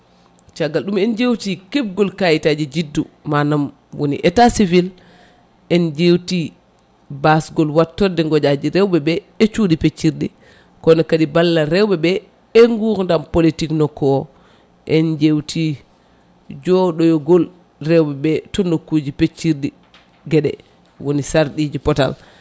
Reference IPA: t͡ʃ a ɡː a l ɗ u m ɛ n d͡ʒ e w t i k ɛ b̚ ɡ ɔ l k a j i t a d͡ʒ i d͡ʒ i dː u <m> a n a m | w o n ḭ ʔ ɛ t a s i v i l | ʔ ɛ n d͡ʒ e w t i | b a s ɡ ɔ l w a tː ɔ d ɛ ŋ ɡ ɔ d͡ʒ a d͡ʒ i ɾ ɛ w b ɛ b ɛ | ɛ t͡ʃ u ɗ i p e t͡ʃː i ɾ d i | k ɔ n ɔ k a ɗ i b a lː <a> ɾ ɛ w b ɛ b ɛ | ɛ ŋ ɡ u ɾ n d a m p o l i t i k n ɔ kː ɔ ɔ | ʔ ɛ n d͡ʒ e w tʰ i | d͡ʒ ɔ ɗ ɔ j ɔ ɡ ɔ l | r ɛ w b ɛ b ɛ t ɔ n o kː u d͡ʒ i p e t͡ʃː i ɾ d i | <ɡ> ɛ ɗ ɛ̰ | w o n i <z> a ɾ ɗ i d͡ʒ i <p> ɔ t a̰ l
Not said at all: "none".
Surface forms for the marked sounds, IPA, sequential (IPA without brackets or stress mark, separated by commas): m, a, ɡ, s, p